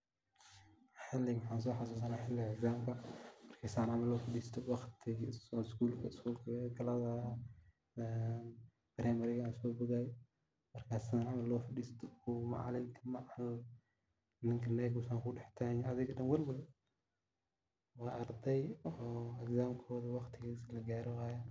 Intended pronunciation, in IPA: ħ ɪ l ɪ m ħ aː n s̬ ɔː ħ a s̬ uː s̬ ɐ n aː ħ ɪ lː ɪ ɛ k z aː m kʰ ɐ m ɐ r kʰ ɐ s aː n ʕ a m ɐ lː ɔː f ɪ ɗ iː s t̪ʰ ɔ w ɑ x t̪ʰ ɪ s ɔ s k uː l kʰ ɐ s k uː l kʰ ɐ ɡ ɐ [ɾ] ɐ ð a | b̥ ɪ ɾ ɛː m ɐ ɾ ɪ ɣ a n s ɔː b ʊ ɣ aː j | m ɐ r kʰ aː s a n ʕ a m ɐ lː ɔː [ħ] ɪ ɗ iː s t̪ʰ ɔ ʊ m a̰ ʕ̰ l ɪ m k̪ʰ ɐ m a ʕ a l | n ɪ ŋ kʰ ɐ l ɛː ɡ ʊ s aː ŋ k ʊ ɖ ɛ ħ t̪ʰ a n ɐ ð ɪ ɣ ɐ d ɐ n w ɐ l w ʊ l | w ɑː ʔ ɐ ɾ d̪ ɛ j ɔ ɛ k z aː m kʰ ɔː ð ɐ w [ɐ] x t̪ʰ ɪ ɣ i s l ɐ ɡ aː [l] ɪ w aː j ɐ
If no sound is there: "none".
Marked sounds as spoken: l, f, ɑ, ɾ

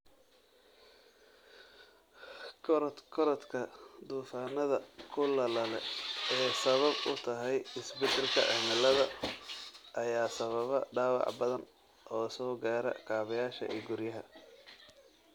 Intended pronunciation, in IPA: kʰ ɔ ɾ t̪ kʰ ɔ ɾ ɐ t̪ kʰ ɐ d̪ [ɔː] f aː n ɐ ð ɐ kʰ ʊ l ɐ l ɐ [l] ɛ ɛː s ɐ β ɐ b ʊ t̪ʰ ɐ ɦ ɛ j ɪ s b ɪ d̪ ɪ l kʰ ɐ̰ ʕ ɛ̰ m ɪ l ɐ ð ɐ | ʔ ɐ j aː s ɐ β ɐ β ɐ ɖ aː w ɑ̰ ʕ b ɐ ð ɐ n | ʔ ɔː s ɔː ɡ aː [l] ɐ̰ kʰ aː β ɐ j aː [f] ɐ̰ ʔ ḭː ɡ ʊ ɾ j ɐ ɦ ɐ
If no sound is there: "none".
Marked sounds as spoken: uː, l, ɾ, ʃ

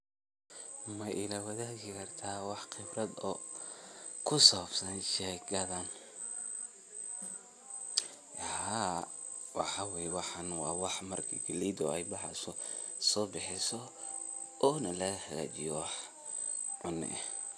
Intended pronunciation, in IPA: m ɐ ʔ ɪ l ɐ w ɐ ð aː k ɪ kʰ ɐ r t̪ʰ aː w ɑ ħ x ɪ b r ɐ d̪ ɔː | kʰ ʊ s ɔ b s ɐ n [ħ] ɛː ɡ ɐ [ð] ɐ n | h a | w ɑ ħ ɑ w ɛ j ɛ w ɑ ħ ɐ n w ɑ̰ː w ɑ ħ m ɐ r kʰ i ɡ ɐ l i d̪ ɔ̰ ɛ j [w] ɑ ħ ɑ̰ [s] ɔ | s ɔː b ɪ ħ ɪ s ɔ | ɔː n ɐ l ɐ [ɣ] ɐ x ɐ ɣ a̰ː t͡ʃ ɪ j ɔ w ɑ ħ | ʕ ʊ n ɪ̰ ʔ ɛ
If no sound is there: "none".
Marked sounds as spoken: ʃ, ð, b, s, ɣ

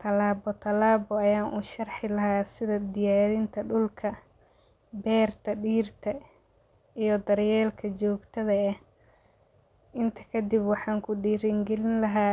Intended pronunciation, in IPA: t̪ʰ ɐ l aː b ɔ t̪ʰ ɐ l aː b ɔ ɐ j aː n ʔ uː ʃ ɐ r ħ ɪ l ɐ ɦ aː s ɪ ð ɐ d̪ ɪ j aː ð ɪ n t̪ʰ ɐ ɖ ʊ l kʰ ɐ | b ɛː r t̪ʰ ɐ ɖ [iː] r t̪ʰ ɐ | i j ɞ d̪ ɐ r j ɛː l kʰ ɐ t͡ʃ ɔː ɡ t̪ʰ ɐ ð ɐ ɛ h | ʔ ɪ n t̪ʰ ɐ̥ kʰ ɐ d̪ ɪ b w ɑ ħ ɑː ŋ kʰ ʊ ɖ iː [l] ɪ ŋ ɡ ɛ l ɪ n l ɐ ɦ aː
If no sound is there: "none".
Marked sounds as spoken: iː, ɾ

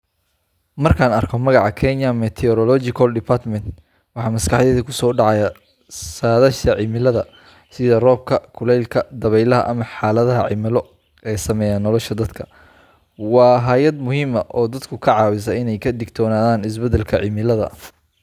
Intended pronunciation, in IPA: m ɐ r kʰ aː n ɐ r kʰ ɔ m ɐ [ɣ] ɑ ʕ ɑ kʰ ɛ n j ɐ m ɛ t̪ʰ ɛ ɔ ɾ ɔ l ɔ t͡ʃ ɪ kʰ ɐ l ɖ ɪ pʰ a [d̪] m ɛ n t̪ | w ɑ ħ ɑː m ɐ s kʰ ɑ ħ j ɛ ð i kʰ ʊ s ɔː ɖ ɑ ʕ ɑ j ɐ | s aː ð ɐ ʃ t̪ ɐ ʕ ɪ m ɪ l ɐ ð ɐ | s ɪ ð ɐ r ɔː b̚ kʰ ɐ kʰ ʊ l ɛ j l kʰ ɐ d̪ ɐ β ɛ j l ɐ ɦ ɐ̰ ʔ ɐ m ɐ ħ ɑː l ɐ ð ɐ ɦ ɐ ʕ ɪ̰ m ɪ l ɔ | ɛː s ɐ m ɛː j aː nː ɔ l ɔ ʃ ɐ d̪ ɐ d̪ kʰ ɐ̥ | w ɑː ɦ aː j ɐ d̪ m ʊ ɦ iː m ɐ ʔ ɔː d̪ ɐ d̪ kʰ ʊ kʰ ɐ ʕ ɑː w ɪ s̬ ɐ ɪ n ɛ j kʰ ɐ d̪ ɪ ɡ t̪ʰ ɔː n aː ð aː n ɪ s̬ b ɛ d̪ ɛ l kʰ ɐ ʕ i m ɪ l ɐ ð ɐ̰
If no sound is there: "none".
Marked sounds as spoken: ɣ, t̪

